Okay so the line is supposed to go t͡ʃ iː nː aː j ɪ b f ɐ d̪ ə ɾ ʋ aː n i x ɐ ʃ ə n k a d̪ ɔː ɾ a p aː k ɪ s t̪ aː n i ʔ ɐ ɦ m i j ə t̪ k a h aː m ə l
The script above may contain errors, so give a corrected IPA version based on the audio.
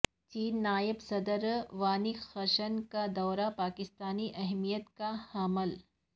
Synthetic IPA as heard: t͡ʃ iː nː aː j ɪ b s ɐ d̪ ə ɾ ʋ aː n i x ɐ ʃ ə n k a d̪ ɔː ɾ a p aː k ɪ s t̪ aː n i ʔ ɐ ɦ m i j ə t̪ k a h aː m ə l